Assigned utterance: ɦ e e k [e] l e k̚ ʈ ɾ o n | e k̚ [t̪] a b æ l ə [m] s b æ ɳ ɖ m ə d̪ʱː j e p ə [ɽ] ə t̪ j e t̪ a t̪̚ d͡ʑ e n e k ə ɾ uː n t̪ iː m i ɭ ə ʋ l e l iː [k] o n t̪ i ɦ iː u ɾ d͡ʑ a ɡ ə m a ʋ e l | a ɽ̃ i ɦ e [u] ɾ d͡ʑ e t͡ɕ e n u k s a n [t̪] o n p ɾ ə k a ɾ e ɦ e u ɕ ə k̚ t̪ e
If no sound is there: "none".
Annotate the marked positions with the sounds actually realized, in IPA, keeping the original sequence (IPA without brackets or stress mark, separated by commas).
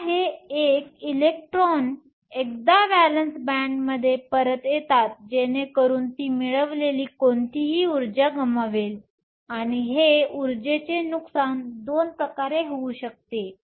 i, d̪, n, ɾ, k, u, d̪